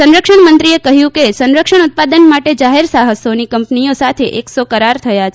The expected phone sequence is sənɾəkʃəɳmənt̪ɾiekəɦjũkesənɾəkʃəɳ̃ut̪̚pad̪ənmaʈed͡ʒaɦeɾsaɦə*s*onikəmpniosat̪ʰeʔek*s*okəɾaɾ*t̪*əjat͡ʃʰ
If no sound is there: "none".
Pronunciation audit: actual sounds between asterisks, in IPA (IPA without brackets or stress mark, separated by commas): s, s, t̪ʰ